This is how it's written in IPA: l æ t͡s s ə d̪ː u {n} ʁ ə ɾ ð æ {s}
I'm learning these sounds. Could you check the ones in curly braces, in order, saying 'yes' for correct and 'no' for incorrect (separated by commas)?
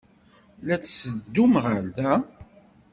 no, no